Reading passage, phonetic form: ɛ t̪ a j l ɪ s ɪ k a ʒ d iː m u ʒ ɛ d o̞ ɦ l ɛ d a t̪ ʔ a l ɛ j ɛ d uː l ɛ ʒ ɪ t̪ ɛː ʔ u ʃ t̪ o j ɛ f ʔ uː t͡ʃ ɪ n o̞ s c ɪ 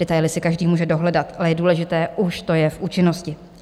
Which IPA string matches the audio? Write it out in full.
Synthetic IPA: ɛ t̪ a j l ɪ s ɪ k a ʒ d iː m uː ʒ ɛ d o̞ ɦ l ɛ d a t̪ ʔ a l ɛ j ɛ d uː l ɛ ʒ ɪ t̪ ɛː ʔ u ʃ t̪ o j ɛ f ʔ uː t͡ʃ ɪ n o̞ s c ɪ

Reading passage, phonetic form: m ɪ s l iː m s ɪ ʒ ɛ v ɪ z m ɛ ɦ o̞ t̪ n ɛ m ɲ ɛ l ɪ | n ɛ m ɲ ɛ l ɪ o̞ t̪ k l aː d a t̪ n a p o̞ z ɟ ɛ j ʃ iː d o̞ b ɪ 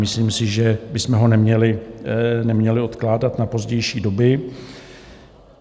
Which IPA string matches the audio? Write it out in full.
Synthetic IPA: m ɪ s l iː m s ɪ ʒ ɛ b ɪ s m ɛ ɦ o̞ n ɛ m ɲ ɛ l ɪ | n ɛ m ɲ ɛ l ɪ o̞ t̪ k l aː d a t̪ n a p o̞ z ɟ ɛ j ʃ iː d o̞ b ɪ

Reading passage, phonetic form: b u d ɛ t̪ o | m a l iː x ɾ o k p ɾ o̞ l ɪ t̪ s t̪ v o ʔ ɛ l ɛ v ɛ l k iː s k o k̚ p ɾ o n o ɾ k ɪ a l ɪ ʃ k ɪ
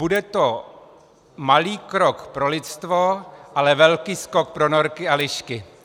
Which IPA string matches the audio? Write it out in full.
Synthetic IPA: b u d ɛ t̪ o | m a l iː k ɾ o k p ɾ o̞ l ɪ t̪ s t̪ v o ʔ a l ɛ v ɛ l k iː s k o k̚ p ɾ o n o ɾ k ɪ a l ɪ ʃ k ɪ

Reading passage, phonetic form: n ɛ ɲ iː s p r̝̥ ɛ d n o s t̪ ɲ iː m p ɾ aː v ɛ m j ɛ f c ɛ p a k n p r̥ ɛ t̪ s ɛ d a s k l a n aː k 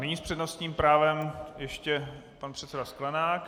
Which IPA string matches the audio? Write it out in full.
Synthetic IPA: n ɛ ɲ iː s p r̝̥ ɛ d n o s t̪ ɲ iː m p ɾ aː v ɛ m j ɛ ʃ c ɛ p a n p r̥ ɛ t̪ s ɛ d a s k l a n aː k

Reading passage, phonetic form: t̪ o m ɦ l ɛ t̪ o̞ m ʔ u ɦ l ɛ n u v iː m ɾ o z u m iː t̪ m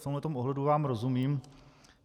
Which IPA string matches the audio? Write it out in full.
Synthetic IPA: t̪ o m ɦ l ɛ t̪ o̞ m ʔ o ɦ l ɛ d u v aː m ɾ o z u m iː m

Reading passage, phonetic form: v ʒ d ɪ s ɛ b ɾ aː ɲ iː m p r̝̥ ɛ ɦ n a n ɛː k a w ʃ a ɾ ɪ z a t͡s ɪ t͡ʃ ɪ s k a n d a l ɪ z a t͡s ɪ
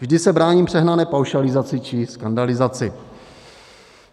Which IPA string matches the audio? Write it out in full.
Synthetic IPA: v ʒ d ɪ s ɛ b ɾ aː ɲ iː m p r̝̥ ɛ ɦ n a n ɛː p a w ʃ a l ɪ z a t͡s ɪ t͡ʃ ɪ s k a n d a l ɪ z a t͡s ɪ

